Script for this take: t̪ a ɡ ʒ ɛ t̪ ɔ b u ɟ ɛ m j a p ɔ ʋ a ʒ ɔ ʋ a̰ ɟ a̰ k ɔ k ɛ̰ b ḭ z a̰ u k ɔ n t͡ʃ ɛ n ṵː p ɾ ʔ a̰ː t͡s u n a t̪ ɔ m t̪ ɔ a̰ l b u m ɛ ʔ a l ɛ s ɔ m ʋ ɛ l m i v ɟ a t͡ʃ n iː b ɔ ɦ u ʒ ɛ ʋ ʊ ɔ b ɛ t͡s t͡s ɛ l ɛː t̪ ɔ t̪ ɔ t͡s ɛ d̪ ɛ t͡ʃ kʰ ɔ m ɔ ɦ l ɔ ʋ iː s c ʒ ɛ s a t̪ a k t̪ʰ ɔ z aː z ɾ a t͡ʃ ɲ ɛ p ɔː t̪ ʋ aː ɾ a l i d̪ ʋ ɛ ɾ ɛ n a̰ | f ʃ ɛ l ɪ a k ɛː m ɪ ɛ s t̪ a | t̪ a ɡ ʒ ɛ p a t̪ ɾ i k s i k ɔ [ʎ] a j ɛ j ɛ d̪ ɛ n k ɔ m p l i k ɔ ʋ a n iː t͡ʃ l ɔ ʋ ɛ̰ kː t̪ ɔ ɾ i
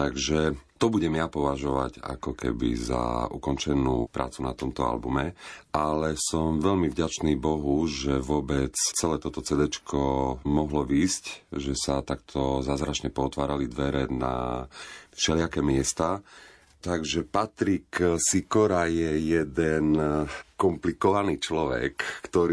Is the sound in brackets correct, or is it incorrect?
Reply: incorrect